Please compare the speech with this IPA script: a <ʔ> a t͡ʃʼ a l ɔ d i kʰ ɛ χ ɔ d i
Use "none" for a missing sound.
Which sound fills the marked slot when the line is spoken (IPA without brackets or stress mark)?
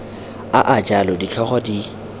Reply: ʔ